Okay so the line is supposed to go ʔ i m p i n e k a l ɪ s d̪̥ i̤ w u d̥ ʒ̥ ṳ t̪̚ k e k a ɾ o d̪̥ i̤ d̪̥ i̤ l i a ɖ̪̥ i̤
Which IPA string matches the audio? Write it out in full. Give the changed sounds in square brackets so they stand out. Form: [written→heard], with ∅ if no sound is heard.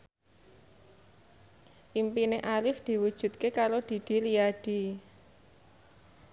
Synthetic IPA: ʔ i m p i n e [k→ʔ] a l ɪ [s→f] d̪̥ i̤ w u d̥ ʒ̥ ṳ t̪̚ k e k a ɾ o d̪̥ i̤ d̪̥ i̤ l i a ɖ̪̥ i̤